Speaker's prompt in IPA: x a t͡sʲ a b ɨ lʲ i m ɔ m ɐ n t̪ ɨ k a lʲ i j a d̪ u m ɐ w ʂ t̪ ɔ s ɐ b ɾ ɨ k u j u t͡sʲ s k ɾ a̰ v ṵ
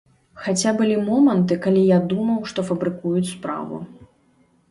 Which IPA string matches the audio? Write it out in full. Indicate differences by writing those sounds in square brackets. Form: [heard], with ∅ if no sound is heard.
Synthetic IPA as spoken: x a t͡sʲ a b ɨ lʲ i m ɔ m ɐ n t̪ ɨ k a lʲ i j a d̪ u m ɐ w ʂ t̪ ɔ [f] ɐ b ɾ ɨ k u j u t͡sʲ s [p] ɾ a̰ v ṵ